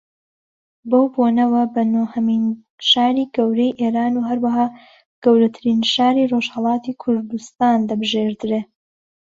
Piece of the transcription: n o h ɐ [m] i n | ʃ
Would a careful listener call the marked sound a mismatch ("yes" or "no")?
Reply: no